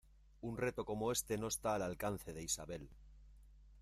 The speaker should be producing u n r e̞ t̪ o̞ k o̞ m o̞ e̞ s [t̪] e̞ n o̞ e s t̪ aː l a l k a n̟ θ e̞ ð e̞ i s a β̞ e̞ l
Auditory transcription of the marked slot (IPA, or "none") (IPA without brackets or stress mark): t̪